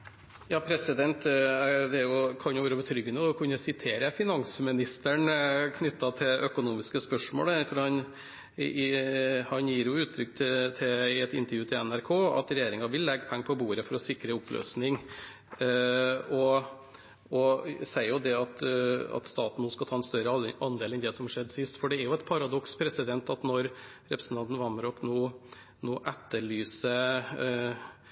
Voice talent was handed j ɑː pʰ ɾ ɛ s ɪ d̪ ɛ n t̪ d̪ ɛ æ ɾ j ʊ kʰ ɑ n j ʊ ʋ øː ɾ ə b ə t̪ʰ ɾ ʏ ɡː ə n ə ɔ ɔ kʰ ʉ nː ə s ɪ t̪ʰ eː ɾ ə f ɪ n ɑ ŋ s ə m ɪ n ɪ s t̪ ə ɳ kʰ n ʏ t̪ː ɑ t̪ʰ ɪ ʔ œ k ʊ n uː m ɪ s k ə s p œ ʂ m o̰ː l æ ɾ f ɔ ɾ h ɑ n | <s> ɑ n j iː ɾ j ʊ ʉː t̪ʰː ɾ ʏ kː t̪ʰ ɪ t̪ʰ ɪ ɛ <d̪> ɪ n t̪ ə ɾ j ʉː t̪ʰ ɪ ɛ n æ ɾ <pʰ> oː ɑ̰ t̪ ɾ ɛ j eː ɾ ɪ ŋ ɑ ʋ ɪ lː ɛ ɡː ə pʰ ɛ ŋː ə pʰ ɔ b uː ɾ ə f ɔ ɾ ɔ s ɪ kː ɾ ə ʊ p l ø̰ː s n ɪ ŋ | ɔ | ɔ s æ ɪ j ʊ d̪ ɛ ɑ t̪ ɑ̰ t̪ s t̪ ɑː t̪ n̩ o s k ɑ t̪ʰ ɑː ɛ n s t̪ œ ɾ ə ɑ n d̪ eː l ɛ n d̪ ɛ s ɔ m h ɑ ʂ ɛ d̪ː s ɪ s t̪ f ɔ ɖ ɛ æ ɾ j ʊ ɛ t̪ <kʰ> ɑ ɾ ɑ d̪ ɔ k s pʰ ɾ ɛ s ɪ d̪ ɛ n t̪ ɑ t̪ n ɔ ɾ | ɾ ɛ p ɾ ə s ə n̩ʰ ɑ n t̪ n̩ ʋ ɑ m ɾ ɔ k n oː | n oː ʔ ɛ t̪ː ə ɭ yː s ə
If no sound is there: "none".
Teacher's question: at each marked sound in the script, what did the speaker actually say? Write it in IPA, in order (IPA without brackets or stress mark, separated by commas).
h, t̪, kʰ, pʰ